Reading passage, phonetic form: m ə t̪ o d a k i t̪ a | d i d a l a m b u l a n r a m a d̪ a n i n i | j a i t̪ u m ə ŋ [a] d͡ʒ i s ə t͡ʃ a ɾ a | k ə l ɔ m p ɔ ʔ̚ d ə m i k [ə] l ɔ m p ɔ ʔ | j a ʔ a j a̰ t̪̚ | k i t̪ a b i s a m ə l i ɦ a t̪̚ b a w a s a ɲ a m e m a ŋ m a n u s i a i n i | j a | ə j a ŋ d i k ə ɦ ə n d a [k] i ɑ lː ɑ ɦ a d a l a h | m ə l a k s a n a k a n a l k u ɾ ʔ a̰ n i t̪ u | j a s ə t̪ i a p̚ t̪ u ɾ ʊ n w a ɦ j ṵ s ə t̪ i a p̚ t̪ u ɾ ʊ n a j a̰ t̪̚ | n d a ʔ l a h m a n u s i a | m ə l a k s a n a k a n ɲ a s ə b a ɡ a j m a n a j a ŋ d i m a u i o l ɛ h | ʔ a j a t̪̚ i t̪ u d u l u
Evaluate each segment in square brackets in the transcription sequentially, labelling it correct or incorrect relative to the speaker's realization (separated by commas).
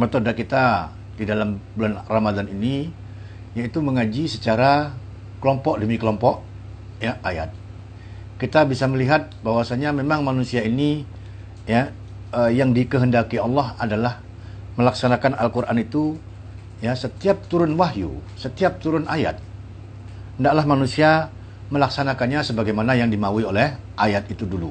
correct, correct, correct